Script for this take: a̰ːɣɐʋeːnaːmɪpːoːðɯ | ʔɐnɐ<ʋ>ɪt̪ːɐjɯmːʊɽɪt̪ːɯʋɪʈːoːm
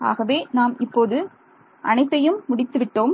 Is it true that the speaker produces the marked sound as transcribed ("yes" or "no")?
no